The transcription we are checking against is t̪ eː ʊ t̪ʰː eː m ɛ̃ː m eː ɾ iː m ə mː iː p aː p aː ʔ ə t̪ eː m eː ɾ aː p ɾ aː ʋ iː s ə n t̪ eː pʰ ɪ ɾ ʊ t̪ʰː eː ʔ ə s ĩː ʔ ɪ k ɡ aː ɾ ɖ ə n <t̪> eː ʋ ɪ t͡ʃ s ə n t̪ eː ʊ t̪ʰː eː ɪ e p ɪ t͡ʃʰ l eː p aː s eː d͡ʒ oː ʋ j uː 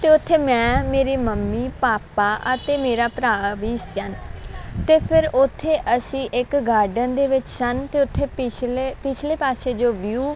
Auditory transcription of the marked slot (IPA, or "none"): d̪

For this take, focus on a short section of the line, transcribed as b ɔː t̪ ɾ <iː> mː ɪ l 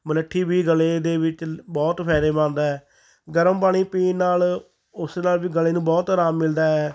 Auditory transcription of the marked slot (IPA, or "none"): aː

